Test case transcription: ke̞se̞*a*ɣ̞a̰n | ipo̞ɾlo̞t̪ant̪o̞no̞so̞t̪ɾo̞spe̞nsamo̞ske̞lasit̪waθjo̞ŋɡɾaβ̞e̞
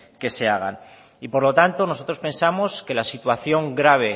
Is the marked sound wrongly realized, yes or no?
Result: no